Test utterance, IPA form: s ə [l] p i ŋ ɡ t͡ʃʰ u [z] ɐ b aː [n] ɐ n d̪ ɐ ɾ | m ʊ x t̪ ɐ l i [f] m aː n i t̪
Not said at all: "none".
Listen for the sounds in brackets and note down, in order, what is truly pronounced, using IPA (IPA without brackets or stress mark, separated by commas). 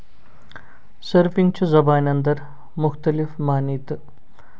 ɾ, z, n, f